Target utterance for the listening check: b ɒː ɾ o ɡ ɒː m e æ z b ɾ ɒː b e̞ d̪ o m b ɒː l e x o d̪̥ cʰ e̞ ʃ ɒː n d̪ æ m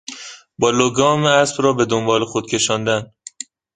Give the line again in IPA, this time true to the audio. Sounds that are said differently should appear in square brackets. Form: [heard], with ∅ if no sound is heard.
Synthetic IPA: b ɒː [l] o ɡ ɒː m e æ [s] b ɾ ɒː b e̞ d̪ o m b ɒː l e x o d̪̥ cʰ e̞ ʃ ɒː n d̪ æ [n]